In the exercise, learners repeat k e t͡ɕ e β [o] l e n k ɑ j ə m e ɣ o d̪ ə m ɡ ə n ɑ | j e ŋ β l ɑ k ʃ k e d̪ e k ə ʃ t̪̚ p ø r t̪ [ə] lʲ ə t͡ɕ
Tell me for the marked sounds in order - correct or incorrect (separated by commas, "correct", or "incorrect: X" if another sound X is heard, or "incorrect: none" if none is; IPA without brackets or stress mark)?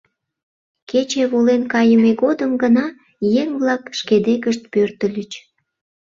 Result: correct, correct